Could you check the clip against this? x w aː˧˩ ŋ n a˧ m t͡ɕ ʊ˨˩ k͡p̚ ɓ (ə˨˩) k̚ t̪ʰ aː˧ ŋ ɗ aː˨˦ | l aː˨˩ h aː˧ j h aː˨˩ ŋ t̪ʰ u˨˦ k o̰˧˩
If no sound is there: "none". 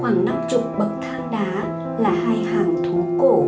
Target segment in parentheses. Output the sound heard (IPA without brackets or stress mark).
ə˨˩